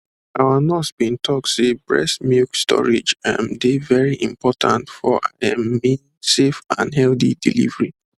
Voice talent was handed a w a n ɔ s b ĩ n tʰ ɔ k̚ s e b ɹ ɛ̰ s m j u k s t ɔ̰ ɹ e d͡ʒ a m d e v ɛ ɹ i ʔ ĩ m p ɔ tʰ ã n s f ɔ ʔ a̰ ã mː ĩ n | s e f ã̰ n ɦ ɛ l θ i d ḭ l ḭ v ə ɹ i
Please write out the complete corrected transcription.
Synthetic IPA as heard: a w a n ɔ s b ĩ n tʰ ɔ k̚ s e b ɹ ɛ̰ s m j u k s t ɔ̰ ɹ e d͡ʒ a m d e v ɛ ɹ i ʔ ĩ m p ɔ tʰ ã n t f ɔ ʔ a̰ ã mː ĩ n | s e f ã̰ n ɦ ɛ l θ i d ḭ l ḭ v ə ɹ i